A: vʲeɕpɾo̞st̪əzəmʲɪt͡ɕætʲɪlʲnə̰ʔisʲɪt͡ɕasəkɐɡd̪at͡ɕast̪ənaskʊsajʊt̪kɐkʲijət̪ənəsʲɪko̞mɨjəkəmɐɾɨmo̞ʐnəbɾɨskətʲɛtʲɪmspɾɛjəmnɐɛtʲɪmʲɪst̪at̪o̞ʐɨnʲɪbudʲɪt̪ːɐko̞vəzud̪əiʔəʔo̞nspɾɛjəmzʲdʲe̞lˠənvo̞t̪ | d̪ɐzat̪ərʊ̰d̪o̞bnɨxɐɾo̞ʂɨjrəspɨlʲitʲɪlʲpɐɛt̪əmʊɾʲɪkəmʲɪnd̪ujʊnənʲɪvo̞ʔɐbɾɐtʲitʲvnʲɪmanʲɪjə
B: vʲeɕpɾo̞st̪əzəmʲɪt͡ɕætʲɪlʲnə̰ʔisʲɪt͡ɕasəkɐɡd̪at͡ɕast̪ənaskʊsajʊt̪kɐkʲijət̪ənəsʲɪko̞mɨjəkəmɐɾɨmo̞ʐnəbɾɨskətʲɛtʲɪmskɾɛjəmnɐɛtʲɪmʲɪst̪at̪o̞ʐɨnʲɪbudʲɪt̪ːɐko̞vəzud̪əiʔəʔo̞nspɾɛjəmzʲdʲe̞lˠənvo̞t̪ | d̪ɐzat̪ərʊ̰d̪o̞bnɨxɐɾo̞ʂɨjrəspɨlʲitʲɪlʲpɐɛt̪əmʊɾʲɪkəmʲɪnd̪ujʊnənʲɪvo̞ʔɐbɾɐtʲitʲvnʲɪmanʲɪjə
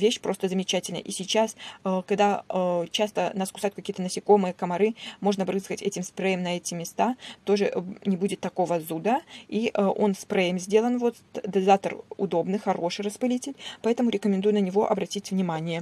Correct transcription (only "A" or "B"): A